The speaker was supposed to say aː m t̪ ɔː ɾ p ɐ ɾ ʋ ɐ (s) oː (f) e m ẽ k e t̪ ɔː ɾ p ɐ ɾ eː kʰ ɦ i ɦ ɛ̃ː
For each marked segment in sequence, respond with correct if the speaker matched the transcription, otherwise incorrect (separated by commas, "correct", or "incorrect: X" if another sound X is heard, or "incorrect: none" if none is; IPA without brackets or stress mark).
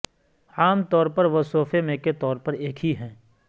correct, correct